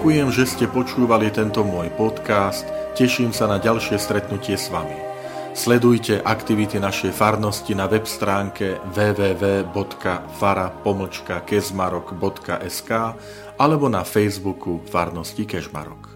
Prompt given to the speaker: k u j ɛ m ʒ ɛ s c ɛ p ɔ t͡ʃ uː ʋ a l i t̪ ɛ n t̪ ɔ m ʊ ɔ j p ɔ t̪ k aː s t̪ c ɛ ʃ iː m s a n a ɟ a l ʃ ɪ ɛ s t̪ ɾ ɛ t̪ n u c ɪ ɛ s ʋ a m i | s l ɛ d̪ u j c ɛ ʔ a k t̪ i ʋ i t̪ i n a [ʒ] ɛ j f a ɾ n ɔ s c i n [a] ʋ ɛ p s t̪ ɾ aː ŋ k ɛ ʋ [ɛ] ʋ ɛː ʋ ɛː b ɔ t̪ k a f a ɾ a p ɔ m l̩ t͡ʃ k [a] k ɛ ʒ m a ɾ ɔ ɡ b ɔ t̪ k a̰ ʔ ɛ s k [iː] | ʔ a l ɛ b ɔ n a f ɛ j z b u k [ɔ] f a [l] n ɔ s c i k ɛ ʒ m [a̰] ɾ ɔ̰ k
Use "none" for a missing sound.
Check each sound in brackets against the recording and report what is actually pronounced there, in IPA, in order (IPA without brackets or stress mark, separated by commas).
ʃ, a, ɛː, a, aː, u, ɾ, a̰